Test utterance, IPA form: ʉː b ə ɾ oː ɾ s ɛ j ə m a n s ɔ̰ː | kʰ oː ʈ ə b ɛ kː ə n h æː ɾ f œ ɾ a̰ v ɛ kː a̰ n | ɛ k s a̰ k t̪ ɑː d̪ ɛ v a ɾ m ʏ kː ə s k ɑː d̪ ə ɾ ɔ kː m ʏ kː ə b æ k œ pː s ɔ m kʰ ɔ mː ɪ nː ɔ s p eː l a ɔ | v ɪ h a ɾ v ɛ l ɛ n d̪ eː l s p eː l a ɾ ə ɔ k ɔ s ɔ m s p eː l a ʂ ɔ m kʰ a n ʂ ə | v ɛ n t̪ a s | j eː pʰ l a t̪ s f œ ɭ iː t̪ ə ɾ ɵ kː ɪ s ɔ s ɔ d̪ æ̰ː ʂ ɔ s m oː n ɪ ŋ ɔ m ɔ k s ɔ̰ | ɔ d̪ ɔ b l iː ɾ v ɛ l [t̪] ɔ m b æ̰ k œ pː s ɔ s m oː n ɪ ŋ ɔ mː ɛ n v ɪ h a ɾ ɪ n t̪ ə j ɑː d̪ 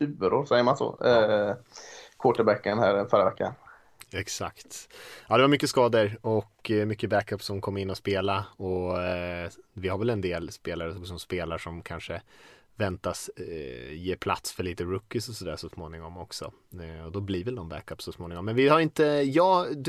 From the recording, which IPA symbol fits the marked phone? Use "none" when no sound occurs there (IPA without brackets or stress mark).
d̪